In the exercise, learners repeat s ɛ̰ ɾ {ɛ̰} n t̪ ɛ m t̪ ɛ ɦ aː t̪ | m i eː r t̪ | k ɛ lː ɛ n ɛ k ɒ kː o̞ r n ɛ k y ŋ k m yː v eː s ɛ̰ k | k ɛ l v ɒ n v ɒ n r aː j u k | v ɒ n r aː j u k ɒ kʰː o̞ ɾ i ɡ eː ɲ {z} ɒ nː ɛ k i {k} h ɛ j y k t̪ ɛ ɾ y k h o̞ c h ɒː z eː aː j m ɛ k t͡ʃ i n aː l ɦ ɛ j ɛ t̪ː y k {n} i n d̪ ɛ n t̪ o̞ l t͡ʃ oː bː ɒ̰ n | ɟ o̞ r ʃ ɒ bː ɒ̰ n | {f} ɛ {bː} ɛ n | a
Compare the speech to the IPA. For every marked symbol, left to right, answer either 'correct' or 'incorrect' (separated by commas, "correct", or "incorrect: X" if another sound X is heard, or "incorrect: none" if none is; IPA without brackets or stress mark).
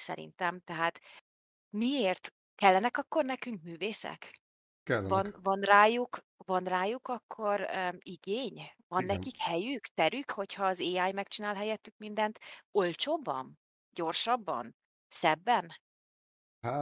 incorrect: ḭ, incorrect: v, correct, incorrect: m, incorrect: s, correct